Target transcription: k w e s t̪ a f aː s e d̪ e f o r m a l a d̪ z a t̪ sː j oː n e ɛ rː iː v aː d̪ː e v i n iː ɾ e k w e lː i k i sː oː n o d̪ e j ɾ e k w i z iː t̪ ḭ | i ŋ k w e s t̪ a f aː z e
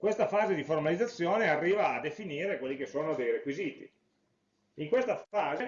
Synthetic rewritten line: k w e s t̪ a f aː z e d̪ i f o r m a l i d̪ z a t̪ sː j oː n e a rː iː v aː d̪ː e f i n iː ɾ e k w e lː i k e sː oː n o d̪ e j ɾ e k w i z iː t̪ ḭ | i ŋ k w e s t̪ a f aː z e

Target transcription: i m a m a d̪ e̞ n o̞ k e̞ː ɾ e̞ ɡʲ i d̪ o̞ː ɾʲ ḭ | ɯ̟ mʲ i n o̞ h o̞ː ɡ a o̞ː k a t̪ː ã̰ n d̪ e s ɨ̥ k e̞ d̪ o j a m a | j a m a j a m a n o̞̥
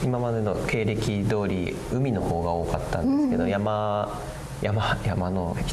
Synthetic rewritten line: i m a m a d̪ e̞ n o̞ k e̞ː ɾ e̞ kʲ i d̪ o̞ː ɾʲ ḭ | ɯ̟ mʲ i n o̞ h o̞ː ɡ a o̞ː k a t̪ː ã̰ n d̪ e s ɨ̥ k e̞ d̪ o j a m a | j a m a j a m a n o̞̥

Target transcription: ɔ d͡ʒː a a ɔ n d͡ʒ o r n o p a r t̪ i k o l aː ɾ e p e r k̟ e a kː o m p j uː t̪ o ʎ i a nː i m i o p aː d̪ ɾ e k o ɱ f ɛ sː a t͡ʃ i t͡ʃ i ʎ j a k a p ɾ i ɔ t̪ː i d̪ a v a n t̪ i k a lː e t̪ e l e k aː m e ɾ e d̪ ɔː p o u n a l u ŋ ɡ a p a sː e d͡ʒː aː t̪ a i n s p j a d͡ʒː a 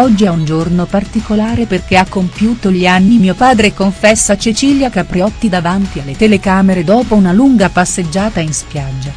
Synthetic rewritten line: ɔ d͡ʒː i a u n d͡ʒ o r n o p a r t̪ i k o l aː ɾ e p e r k̟ e a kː o m p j uː t̪ o ʎ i a nː i m i o p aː d̪ ɾ e k o ɱ f ɛ sː a t͡ʃ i t͡ʃ i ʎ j a k a p ɾ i ɔ t̪ː i d̪ a v a n t̪ i a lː e t̪ e l e k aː m e ɾ e d̪ ɔː p o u n a l u ŋ ɡ a p a sː e d͡ʒː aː t̪ a i n s p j a d͡ʒː a

